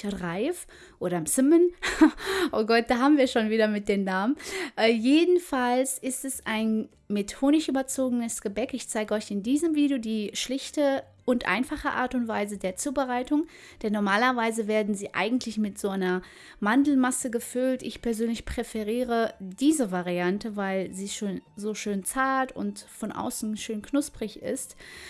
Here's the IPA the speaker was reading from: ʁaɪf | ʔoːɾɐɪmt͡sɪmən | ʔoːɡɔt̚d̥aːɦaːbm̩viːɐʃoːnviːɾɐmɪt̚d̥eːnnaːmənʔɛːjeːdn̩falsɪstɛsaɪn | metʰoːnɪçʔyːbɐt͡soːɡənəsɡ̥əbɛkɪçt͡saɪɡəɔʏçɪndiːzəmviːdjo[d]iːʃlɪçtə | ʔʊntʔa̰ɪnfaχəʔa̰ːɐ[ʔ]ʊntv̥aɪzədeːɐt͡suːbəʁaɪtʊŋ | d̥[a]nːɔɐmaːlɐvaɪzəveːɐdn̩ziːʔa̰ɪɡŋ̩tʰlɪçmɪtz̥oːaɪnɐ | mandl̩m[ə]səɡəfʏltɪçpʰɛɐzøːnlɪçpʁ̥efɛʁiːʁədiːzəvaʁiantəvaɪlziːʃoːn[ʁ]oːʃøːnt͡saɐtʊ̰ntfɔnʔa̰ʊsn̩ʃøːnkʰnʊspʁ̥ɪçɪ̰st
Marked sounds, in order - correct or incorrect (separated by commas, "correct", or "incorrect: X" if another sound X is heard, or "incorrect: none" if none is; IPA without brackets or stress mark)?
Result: correct, incorrect: t, incorrect: ɛ, incorrect: a, incorrect: z